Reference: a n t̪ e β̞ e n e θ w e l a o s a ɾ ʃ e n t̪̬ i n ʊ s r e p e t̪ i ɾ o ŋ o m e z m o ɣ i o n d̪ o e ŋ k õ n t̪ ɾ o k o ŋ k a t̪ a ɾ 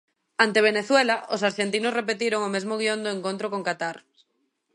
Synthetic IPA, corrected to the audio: a n t̪ e β̞ e n e θ w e l a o s a ɾ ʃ e n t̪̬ i n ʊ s r e p e t̪ i ɾ o ŋ o m e z m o ɣ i o n d̪ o e ŋ k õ n t̪ ɾ o k o ŋ k a t̪ a ɾ